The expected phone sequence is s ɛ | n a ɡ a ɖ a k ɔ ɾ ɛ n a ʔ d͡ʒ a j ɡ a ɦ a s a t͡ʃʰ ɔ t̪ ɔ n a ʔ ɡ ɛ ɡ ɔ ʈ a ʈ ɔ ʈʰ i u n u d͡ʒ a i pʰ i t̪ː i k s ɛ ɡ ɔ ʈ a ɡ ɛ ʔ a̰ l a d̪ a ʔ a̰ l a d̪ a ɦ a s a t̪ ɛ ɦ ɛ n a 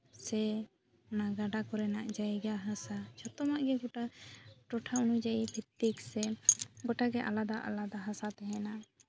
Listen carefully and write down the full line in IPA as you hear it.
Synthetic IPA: s ɛ | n a ɡ a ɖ a k ɔ ɾ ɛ n a ʔ d͡ʒ a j ɡ a ɦ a s a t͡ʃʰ ɔ t̪ ɔ m a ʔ ɡ ɛ ɡ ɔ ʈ a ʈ ɔ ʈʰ a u n u d͡ʒ a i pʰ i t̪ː i k s ɛ ɡ ɔ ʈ a ɡ ɛ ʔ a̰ l a d̪ a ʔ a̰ l a d̪ a ɦ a s a t̪ ɛ ɦ ɛ n a